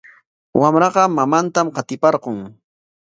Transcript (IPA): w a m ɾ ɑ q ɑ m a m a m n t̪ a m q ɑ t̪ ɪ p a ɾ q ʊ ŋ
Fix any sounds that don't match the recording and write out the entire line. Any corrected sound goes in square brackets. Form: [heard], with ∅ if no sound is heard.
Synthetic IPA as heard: w a m ɾ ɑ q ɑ m a m a [∅] n t̪ a m q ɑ t̪ ɪ p [ɑ] ɾ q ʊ ŋ